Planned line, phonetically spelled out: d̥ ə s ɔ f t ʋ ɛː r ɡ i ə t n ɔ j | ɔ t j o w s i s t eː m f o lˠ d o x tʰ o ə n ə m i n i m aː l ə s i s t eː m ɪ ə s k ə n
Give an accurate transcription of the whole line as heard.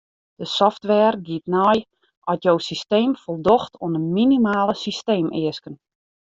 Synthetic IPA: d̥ ə s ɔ f t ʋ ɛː r ɡ i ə t n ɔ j | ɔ t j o w s i s t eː m f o lˠ d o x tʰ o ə n ə m i n i m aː l ə s i s t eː m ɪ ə s k ə n